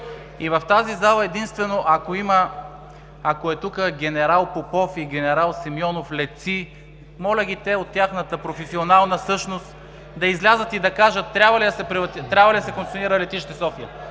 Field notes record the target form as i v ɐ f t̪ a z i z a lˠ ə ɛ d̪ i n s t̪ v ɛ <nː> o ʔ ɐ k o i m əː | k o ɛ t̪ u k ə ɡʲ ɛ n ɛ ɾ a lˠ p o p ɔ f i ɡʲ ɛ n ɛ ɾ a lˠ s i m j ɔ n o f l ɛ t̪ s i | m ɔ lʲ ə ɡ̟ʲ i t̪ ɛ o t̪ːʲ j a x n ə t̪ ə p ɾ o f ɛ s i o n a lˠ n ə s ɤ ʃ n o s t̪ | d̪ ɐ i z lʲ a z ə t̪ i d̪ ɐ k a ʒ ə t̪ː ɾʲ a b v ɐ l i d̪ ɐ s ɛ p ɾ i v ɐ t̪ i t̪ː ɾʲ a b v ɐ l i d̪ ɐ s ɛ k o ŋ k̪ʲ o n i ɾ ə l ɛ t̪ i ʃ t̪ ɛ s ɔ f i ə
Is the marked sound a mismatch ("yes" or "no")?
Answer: yes